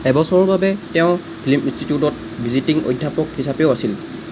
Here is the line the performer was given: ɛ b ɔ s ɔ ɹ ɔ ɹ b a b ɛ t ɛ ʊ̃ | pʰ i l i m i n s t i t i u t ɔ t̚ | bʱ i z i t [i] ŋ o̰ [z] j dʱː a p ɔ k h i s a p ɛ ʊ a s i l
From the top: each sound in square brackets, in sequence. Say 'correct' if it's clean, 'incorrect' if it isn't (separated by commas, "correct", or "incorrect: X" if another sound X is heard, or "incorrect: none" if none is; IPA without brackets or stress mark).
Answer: correct, incorrect: none